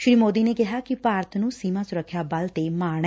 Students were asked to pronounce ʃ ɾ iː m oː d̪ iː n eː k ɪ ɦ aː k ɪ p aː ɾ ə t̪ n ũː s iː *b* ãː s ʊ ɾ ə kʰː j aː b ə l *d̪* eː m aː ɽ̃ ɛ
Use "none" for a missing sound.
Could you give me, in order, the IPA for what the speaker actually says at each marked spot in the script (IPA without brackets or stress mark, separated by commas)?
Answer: m, t̪